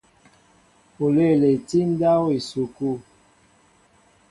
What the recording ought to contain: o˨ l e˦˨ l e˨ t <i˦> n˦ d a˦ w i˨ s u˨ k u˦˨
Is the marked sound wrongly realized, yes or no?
no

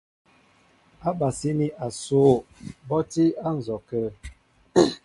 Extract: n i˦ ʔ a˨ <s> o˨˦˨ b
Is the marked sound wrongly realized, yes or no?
no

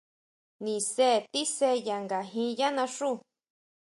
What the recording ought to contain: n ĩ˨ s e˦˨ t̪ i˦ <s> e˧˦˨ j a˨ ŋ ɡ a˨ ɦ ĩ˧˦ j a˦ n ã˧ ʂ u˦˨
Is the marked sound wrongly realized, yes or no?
no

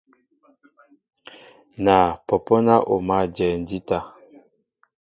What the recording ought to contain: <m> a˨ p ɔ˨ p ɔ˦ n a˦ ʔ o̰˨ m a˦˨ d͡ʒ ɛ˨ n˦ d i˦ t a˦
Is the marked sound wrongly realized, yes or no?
yes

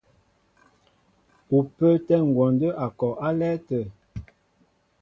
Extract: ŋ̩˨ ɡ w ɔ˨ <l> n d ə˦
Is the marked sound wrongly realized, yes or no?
yes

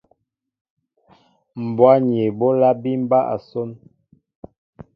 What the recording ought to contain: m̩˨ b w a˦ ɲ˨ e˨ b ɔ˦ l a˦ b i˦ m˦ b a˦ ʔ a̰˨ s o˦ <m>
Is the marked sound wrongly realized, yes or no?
yes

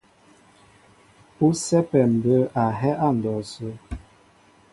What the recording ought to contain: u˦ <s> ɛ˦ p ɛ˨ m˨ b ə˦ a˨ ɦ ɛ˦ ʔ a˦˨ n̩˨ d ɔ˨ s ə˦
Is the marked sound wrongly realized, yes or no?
no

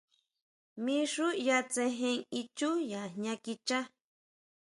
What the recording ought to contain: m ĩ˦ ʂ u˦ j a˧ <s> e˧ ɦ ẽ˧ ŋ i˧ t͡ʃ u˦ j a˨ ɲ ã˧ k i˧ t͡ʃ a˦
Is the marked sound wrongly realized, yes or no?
yes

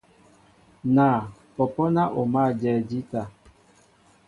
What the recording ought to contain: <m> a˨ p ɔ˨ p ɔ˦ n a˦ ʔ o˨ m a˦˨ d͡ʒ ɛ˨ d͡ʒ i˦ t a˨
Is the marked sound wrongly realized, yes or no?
yes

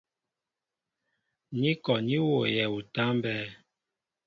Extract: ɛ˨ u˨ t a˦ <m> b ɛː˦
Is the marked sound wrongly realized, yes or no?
no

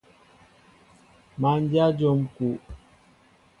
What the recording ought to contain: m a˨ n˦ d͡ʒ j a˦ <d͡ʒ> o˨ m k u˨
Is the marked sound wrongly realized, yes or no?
no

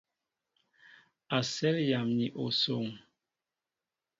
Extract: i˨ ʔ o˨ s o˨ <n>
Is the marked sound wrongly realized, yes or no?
yes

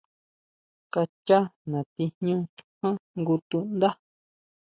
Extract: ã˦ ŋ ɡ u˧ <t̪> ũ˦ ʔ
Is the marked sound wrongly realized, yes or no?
no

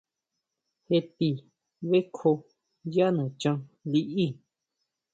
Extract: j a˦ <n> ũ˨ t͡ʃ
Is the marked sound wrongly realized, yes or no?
no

